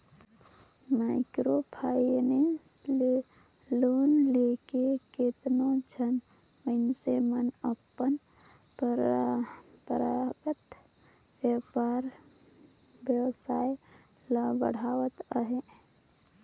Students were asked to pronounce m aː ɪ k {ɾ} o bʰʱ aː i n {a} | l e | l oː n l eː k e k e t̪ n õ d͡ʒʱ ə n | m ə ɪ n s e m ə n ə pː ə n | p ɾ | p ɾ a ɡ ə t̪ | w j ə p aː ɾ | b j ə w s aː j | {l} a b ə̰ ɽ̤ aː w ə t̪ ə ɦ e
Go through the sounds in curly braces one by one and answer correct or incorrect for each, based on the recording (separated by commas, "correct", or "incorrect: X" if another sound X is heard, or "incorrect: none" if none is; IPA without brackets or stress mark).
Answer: correct, incorrect: e, correct